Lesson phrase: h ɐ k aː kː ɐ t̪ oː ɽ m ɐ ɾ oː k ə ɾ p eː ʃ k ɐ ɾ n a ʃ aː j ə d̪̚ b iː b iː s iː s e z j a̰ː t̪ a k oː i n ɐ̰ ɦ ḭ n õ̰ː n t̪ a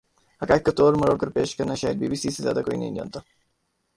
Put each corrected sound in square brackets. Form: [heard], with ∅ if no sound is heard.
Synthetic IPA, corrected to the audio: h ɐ k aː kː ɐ t̪ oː [ɾ] m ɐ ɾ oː k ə ɾ p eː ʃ k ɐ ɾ n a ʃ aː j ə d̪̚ b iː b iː s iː s e z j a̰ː [d̪] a k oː i n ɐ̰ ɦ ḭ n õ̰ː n t̪ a